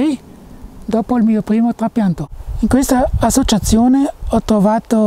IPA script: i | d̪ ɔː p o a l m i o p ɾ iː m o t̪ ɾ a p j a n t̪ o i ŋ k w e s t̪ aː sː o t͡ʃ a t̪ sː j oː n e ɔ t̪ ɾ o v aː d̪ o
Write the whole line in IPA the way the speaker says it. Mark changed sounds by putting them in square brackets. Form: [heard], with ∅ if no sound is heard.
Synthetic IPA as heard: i | d̪ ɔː p o [i] l m [iː] o p ɾ iː m o t̪ ɾ a p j a n t̪ o i ŋ k w e s t̪ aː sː o t͡ʃ a t̪ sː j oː n e ɔ t̪ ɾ o v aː [t̪] o